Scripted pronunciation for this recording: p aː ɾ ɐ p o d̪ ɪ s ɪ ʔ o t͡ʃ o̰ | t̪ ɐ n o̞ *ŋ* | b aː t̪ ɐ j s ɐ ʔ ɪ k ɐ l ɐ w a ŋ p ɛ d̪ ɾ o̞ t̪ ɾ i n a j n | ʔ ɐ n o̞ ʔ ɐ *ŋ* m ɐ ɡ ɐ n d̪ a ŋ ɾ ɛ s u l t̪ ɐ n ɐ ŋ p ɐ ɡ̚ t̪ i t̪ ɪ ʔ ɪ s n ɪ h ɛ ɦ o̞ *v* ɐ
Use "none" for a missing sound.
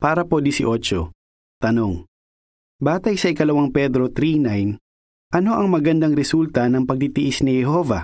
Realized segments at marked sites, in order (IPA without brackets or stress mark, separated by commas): ŋ, ŋ, v